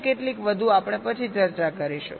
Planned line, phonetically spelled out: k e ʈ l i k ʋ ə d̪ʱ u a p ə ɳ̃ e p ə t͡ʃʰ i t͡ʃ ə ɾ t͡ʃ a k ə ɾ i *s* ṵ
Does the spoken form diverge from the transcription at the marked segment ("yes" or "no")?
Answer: yes